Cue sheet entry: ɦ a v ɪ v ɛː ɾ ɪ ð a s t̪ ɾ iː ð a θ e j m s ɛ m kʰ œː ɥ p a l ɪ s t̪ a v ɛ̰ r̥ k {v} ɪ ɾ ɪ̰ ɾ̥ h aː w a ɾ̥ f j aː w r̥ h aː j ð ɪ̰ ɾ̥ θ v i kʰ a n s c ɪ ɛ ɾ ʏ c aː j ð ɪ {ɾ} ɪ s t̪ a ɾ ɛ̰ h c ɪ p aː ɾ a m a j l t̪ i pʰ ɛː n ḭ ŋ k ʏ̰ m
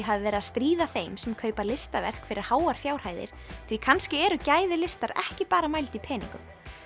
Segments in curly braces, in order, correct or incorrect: incorrect, incorrect

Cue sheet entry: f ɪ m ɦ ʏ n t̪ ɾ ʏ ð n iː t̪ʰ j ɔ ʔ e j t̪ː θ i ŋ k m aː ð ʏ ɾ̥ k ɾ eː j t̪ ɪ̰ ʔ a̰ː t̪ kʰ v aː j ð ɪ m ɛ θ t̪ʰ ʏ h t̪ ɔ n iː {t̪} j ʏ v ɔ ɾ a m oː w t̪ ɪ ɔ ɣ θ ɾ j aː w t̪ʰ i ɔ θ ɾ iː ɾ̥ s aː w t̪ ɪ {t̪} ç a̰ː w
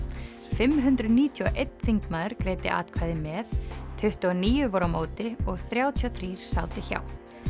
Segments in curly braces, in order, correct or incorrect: incorrect, incorrect

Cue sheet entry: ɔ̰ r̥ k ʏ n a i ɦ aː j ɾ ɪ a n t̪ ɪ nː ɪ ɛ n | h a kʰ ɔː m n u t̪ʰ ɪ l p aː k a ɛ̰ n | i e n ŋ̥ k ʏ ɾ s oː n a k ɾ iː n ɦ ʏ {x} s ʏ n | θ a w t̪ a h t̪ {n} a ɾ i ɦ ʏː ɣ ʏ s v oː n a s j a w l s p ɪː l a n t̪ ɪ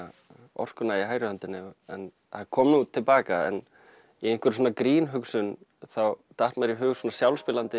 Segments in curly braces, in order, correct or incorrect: incorrect, incorrect

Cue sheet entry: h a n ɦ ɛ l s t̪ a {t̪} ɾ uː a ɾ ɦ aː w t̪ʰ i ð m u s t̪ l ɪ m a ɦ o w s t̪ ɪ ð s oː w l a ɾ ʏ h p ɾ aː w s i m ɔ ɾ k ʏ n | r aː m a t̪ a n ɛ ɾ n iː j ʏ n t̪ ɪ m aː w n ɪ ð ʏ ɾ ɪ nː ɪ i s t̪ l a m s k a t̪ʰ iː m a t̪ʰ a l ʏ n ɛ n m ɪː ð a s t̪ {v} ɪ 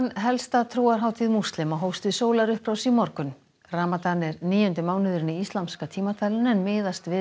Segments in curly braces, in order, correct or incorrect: incorrect, correct

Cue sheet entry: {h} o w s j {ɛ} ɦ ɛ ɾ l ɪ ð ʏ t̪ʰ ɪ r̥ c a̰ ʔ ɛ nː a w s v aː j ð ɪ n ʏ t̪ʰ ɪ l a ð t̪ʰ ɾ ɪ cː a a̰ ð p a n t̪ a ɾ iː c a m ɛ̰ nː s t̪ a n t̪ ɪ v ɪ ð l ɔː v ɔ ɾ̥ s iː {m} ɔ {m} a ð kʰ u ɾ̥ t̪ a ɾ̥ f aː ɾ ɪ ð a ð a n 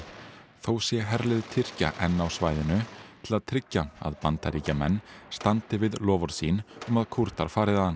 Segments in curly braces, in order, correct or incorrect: incorrect, correct, incorrect, correct

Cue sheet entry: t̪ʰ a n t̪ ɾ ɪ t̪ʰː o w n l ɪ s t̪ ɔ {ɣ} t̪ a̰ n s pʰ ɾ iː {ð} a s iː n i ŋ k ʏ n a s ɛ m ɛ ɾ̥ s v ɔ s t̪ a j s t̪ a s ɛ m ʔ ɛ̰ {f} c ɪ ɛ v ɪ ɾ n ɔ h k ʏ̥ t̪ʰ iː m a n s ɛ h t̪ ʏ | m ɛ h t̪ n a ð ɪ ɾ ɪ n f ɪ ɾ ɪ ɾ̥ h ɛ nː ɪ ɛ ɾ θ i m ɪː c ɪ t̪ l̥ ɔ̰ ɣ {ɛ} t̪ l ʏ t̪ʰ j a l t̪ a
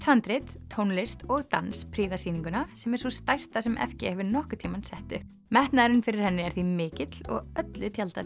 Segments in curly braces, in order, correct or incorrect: correct, correct, correct, incorrect

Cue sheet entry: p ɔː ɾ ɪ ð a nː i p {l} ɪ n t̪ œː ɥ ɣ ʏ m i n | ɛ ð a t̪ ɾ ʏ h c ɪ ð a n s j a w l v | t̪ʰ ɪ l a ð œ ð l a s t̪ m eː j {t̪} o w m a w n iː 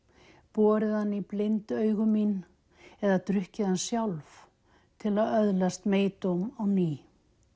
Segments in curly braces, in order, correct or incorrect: correct, correct

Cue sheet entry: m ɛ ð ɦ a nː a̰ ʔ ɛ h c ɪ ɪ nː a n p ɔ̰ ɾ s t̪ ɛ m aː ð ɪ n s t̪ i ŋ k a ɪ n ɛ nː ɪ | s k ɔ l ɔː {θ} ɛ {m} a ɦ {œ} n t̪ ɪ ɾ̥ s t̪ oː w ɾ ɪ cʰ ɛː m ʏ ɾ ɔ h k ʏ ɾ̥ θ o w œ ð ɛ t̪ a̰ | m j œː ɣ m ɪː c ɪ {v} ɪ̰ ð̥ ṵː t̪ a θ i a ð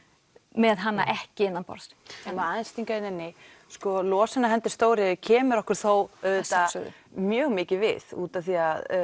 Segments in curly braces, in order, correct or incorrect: incorrect, incorrect, incorrect, correct

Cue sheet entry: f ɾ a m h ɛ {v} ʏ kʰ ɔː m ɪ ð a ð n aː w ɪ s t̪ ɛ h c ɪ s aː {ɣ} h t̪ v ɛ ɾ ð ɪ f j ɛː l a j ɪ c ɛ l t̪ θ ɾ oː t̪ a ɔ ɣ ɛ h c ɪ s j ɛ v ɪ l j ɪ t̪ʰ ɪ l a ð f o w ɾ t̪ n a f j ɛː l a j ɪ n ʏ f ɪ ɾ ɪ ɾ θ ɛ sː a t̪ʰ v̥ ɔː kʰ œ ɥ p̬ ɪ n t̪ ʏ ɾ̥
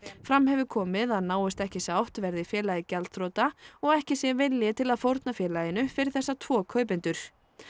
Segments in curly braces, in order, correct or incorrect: correct, incorrect

